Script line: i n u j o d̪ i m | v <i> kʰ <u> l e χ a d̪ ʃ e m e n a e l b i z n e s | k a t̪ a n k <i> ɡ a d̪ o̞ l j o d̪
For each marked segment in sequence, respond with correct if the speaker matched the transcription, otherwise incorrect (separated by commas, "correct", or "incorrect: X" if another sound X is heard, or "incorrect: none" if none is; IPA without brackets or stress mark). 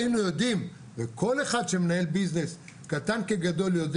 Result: incorrect: e, incorrect: o, incorrect: e